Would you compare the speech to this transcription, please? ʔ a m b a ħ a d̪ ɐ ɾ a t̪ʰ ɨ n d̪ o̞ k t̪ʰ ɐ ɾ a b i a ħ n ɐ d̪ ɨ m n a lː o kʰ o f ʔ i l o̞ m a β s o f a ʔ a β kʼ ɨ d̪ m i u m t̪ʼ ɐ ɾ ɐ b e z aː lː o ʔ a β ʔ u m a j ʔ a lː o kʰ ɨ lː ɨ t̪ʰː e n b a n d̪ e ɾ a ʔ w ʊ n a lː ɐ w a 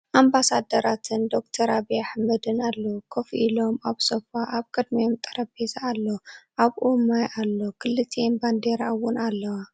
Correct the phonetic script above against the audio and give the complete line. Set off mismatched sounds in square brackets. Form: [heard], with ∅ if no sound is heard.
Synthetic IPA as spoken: ʔ a m b a [s] a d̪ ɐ ɾ a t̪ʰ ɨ n d̪ o̞ k t̪ʰ ɐ ɾ a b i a ħ [m] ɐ d̪ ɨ [∅] n a lː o kʰ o f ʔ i l o̞ m a β s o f a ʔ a β kʼ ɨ d̪ m i [o] m t̪ʼ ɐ ɾ ɐ b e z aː lː o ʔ a β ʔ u m a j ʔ a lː o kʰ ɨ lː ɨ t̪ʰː e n b a n d̪ e ɾ a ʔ w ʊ n a lː ɐ w a